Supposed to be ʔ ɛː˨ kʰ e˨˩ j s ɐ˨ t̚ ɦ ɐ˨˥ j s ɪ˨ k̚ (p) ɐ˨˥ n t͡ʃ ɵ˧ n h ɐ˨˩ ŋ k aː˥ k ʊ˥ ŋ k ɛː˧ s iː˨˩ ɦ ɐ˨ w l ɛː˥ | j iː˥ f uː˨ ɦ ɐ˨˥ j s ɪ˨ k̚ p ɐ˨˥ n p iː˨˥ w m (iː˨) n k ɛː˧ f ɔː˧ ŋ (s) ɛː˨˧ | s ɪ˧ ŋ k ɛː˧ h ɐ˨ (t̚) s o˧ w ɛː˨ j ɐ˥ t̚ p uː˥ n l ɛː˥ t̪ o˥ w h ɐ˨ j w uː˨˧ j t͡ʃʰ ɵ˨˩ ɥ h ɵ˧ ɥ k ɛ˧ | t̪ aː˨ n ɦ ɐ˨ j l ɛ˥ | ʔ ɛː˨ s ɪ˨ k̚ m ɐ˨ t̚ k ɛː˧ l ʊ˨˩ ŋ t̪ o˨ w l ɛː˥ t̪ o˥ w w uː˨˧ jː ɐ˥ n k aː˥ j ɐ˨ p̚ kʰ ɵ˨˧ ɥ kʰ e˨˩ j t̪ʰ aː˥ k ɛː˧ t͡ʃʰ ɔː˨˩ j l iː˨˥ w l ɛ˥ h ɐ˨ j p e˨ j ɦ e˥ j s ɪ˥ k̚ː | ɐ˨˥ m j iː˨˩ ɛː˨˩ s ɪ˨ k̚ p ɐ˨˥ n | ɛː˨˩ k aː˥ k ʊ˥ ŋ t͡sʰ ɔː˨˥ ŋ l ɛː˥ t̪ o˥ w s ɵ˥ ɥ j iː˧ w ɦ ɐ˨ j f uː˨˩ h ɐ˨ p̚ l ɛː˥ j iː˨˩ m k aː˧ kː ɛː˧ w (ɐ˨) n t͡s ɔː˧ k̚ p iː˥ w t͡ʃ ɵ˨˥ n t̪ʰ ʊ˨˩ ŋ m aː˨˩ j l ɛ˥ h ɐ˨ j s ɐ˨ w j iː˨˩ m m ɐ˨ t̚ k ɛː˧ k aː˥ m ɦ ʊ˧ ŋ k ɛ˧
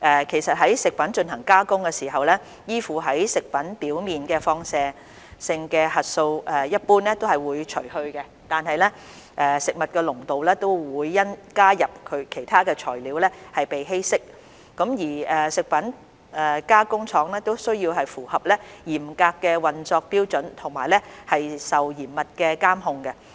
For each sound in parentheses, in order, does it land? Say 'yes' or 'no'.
yes, yes, yes, yes, yes

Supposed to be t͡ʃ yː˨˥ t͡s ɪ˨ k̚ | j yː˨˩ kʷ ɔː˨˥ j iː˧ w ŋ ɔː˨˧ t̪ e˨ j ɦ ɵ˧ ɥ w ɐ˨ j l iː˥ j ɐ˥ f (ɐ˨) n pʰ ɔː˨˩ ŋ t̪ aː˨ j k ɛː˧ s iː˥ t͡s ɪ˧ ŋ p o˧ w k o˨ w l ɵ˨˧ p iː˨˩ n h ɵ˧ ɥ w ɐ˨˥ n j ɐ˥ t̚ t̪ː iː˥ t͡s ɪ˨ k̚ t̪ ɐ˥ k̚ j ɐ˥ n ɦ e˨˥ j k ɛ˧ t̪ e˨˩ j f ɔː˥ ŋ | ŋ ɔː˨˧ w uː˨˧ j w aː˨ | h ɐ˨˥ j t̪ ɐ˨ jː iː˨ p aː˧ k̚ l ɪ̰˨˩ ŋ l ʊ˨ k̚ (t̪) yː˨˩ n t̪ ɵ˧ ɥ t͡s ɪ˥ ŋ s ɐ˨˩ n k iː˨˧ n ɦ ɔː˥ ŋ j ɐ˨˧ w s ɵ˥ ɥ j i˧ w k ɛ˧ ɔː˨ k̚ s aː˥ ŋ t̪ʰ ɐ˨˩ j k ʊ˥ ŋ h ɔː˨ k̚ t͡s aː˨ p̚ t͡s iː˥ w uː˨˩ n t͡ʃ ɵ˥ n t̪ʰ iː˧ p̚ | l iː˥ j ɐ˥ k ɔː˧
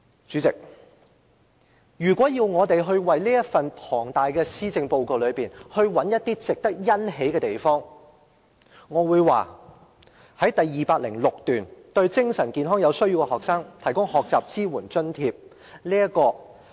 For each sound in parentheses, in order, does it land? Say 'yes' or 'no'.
yes, yes

